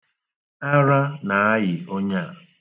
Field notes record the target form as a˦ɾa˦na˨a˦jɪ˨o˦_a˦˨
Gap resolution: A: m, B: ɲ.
B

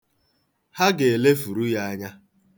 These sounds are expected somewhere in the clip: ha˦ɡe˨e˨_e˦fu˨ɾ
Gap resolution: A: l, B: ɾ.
A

